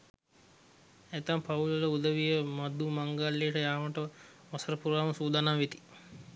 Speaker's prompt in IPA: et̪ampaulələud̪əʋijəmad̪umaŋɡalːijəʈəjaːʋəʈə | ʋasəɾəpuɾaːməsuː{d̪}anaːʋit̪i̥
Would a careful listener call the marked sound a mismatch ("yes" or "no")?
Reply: no